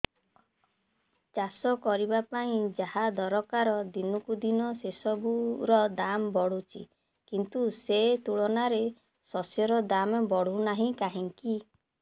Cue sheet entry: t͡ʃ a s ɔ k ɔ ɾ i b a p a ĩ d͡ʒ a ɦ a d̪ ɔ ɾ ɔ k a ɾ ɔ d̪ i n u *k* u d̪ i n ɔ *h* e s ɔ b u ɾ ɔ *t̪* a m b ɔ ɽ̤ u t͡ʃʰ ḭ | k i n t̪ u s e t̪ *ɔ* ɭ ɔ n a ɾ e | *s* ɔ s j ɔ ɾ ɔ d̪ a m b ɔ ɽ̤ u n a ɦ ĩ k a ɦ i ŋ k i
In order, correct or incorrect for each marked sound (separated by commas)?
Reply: correct, incorrect, incorrect, incorrect, correct